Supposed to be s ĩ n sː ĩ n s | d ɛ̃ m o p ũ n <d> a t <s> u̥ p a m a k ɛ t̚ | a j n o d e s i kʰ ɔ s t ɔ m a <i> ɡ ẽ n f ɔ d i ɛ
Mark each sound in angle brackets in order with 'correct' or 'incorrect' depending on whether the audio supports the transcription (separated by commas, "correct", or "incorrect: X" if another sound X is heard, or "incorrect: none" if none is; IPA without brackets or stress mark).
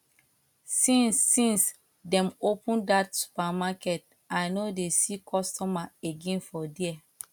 correct, correct, incorrect: e